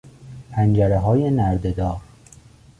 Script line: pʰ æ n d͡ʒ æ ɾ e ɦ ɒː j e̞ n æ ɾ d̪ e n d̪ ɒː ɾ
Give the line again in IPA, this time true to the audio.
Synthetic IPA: pʰ æ n d͡ʒ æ ɾ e ɦ ɒː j e̞ n æ ɾ d̪ e d̪ ɒː ɾ